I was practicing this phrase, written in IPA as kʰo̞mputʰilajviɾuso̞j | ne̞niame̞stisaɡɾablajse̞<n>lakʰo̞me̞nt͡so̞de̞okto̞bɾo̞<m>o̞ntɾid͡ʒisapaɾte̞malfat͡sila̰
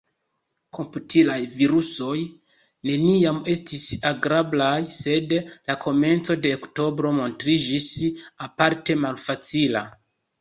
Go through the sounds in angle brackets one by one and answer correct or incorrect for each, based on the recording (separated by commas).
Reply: incorrect, correct